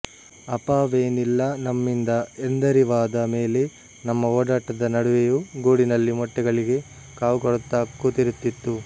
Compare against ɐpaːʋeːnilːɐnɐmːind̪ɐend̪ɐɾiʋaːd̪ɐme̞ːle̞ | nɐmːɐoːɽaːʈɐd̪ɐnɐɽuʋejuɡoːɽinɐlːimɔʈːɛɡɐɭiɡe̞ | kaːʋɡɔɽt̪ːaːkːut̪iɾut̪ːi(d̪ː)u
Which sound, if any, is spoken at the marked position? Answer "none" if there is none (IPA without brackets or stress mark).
t̪ː